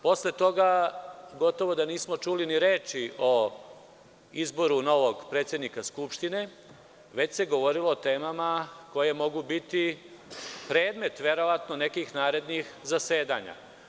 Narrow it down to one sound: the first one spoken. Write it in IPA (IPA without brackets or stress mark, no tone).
p